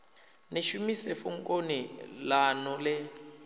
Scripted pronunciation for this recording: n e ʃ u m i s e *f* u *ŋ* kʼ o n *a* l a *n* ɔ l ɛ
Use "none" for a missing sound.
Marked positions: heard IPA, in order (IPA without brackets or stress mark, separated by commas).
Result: f, ŋ, i, n